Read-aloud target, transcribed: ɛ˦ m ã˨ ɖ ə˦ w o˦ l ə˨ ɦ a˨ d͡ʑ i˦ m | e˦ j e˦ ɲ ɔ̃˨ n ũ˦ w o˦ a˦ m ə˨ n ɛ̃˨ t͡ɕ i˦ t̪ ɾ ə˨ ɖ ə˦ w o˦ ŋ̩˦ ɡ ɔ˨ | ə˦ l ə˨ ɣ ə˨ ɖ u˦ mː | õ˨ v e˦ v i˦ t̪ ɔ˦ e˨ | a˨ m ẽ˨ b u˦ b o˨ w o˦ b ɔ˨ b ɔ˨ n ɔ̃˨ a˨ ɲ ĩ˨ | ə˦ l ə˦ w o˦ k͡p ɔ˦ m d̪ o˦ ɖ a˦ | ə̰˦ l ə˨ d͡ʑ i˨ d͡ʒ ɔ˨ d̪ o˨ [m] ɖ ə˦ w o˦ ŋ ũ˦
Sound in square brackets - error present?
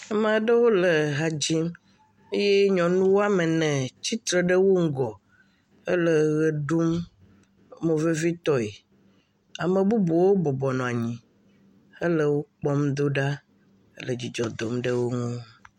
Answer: no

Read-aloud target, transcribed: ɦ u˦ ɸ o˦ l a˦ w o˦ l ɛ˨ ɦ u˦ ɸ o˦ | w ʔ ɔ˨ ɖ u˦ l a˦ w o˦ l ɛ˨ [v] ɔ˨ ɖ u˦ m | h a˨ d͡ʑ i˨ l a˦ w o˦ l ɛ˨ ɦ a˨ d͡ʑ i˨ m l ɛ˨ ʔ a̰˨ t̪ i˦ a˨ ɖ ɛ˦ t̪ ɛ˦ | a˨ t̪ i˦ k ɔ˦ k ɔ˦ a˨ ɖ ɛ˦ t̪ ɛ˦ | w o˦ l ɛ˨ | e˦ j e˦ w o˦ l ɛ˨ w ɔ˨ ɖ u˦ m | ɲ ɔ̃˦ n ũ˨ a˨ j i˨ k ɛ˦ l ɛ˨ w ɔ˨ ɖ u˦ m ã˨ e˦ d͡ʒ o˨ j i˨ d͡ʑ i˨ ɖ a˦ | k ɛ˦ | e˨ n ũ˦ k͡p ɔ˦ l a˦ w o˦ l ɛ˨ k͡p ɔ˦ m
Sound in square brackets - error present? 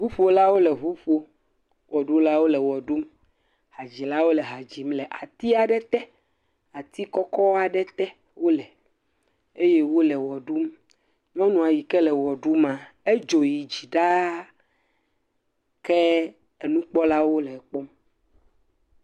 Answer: yes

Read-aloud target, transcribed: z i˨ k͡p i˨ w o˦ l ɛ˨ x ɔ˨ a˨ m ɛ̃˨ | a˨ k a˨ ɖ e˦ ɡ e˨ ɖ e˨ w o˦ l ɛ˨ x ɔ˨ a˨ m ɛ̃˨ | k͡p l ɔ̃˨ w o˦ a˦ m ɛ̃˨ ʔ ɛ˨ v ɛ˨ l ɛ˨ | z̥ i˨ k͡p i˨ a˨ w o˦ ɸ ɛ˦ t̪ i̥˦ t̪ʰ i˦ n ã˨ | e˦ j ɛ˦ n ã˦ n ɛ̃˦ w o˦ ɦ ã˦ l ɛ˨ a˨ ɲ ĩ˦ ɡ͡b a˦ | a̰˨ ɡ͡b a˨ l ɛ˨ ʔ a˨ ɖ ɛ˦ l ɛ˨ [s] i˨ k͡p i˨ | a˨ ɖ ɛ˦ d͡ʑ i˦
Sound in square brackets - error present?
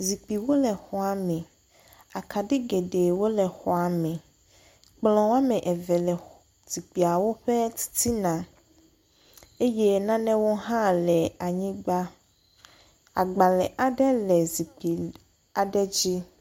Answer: yes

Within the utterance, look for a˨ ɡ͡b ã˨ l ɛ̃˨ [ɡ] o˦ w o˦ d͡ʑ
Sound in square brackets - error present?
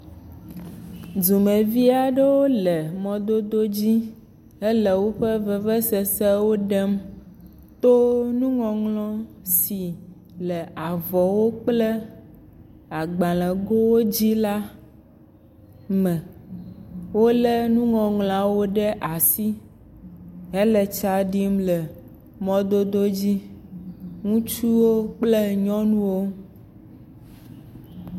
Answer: no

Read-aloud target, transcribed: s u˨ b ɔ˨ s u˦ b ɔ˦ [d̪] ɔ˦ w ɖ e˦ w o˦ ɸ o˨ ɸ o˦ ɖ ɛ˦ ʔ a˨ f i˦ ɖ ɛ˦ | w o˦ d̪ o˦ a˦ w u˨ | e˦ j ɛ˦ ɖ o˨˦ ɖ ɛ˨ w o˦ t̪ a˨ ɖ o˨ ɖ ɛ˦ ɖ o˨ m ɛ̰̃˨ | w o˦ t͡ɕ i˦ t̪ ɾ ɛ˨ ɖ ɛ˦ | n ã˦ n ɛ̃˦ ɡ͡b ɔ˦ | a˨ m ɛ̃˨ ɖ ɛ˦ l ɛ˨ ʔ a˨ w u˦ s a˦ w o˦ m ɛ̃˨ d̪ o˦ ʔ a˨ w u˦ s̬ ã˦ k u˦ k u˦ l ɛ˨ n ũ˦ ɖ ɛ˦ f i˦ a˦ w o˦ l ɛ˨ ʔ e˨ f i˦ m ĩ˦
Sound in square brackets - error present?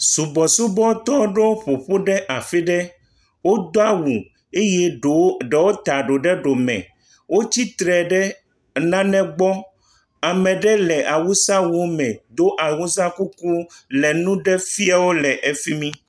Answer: yes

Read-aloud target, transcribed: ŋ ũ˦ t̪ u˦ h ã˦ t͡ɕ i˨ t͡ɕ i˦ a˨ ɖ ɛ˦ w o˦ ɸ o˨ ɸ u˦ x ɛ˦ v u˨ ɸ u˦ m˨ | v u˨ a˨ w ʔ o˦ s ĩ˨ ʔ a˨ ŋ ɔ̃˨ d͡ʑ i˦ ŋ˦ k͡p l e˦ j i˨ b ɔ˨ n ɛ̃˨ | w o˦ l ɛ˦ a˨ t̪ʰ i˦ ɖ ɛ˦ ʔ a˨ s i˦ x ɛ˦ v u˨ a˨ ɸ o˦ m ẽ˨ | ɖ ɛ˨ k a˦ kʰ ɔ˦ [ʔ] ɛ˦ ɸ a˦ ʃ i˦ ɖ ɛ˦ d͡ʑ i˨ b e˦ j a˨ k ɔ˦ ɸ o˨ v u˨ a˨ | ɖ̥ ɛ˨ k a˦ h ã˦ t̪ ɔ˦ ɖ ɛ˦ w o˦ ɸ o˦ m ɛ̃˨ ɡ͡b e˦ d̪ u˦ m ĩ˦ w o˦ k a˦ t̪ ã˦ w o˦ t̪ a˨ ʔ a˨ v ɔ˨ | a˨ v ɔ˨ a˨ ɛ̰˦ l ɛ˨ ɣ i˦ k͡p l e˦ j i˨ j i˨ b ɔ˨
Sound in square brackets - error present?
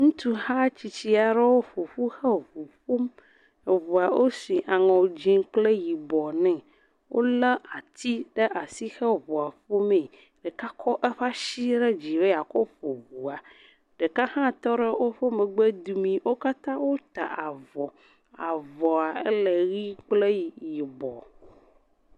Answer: no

